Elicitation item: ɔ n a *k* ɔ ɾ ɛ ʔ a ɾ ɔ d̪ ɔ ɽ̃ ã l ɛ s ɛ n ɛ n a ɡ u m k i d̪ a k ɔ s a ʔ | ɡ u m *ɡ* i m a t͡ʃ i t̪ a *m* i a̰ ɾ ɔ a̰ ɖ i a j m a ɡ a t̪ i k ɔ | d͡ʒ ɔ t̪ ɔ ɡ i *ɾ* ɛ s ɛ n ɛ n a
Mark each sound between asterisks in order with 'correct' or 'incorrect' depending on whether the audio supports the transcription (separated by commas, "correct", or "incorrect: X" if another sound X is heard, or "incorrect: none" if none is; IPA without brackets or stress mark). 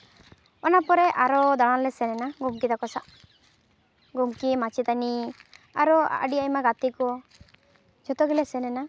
incorrect: p, incorrect: k, incorrect: n, incorrect: l